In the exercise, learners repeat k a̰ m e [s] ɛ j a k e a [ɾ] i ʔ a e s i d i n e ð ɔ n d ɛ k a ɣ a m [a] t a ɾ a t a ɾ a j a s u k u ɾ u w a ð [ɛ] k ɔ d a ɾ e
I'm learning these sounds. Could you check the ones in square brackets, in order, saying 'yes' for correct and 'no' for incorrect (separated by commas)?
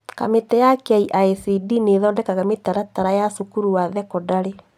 no, no, no, yes